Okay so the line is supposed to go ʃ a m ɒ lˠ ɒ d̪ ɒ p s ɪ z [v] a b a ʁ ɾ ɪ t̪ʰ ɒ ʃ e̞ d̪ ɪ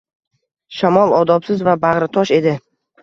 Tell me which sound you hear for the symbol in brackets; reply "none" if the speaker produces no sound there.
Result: v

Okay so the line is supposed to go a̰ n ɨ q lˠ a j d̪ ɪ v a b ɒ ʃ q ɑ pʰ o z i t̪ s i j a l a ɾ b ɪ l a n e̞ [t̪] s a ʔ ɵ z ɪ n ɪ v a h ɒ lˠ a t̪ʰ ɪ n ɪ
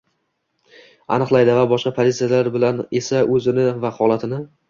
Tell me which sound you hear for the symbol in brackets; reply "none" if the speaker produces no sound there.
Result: none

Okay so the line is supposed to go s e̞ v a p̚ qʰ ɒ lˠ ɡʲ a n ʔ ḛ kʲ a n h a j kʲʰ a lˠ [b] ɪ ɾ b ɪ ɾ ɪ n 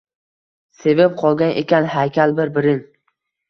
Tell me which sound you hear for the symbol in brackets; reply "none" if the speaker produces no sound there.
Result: b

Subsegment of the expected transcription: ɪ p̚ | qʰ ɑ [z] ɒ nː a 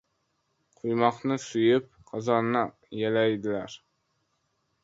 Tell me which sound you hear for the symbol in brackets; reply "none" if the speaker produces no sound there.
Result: z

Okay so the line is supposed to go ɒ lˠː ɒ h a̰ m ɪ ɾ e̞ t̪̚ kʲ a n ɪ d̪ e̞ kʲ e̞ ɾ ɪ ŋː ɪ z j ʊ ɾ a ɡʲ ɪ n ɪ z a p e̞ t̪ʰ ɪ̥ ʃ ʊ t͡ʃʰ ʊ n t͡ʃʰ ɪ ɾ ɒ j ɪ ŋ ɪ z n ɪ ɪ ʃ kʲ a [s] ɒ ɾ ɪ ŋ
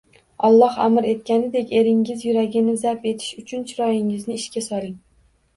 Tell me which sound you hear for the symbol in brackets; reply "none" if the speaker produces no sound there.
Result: s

